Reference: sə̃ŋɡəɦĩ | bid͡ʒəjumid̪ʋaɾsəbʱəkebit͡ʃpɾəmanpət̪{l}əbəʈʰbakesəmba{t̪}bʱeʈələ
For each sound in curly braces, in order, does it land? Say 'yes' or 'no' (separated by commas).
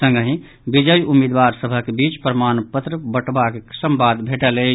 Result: no, no